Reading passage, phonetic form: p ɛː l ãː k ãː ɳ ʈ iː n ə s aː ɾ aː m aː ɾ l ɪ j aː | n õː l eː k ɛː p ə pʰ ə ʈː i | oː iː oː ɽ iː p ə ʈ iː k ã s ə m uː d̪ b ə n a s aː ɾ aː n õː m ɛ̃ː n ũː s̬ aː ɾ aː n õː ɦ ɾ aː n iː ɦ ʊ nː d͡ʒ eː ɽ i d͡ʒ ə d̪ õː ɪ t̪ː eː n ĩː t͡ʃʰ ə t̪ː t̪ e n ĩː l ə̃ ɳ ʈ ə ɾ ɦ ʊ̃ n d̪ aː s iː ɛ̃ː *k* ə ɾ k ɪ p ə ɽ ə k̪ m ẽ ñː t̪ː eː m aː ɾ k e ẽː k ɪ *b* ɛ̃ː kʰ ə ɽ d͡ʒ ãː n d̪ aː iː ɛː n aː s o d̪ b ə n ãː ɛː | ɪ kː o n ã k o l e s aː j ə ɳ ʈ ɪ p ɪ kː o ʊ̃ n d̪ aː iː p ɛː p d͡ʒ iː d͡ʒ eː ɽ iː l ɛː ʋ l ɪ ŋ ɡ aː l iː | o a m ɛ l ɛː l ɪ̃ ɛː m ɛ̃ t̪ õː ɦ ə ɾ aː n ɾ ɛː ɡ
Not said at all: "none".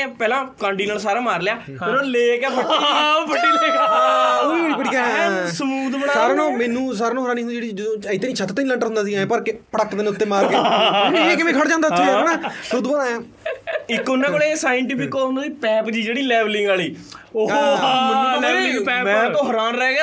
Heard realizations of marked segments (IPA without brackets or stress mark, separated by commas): p, m